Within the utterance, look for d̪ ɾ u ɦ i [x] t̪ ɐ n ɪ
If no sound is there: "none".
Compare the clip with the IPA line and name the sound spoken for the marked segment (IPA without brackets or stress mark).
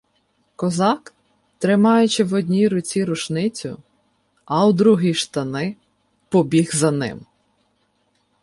ʃ